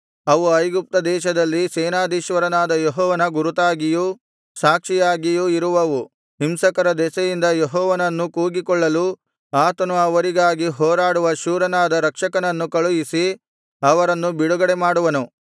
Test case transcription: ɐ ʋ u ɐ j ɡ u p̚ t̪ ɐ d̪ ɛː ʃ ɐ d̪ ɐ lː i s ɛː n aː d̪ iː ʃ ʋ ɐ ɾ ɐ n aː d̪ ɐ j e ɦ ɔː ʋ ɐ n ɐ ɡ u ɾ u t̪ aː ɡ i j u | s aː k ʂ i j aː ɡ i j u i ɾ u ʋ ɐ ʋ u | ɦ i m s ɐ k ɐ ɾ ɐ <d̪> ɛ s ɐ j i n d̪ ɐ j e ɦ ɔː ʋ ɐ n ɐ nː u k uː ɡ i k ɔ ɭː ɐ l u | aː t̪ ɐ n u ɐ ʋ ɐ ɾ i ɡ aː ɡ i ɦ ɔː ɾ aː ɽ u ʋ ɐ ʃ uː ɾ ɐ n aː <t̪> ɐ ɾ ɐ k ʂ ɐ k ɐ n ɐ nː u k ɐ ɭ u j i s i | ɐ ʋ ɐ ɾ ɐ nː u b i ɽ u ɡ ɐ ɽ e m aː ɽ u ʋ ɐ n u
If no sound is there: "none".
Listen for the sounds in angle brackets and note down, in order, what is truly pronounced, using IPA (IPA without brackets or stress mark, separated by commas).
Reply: d̪, d̪